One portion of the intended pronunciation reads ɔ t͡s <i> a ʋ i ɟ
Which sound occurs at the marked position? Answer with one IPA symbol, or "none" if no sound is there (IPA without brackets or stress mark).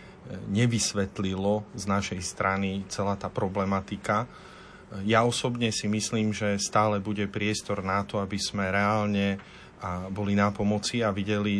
i